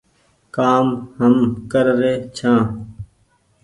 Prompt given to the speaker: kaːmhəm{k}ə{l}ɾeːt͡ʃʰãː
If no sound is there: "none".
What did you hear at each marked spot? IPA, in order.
k, ɾ

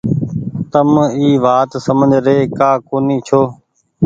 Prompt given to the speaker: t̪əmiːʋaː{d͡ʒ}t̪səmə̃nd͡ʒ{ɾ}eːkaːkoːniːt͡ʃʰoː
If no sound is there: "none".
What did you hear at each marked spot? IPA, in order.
none, ɾ

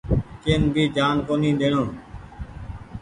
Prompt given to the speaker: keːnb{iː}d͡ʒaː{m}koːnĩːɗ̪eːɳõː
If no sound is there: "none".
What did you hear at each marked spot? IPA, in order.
iː, n

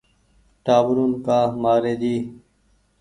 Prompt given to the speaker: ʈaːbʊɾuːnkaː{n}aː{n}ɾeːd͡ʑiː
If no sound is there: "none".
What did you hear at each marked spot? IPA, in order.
m, none

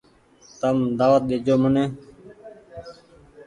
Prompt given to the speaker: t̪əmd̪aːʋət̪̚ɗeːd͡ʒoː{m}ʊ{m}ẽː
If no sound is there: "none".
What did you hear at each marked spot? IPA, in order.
m, n

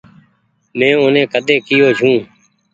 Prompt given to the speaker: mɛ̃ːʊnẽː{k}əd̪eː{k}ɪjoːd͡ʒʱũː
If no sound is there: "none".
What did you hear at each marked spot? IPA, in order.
k, k

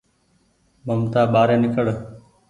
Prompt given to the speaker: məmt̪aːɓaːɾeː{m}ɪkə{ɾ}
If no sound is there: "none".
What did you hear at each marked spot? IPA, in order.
n, ɽ

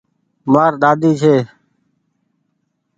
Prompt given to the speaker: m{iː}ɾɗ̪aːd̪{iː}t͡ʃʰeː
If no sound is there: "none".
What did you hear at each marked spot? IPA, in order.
aː, iː

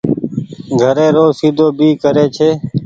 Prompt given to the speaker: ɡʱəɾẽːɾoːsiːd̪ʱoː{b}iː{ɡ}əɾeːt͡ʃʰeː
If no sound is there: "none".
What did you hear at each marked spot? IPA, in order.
b, k

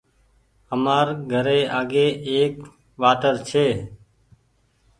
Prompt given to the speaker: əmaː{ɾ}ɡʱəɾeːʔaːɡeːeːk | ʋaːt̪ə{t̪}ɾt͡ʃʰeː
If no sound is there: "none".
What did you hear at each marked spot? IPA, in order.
ɾ, none

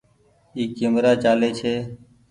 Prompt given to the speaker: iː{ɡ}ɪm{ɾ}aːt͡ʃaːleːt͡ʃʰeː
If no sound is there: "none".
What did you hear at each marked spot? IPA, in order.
k, ɾ

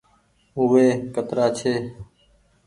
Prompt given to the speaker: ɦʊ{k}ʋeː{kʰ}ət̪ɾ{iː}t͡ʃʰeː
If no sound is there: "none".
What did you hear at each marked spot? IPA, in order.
none, k, aː

